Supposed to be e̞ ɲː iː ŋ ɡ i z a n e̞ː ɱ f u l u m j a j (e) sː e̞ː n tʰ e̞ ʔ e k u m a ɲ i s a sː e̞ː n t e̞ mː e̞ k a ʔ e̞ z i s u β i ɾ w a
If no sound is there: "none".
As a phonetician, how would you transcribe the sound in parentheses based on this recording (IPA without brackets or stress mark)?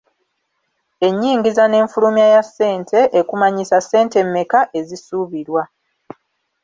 a